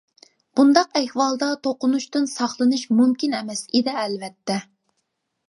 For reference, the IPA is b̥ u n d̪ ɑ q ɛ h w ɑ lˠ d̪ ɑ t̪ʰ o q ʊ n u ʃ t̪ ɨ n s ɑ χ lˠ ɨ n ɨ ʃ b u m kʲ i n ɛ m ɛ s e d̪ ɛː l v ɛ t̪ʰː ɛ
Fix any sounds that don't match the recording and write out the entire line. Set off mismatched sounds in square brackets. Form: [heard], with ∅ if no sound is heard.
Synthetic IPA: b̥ u n d̪ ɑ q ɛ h w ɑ lˠ d̪ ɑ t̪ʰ o q ʊ n u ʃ t̪ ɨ n s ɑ χ lˠ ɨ n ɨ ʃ [m] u m kʲ i n ɛ m ɛ s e d̪ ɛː l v ɛ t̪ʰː ɛ